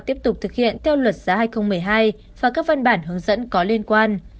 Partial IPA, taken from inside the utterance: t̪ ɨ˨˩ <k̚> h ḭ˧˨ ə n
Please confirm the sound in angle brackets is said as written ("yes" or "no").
yes